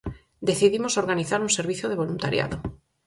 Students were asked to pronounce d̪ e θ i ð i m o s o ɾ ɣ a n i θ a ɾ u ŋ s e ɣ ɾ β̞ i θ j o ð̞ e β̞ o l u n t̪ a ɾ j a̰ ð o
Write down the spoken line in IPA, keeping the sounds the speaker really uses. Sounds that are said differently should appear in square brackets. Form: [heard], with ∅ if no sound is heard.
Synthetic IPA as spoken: d̪ e θ i ð i m o s o ɾ ɣ a n i θ a ɾ u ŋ s e [∅] ɾ β̞ i θ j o ð̞ e β̞ o l u n t̪ a ɾ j a̰ ð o